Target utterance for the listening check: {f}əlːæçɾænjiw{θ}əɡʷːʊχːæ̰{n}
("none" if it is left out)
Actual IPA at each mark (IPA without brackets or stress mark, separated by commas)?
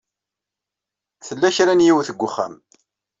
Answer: θ, θ, m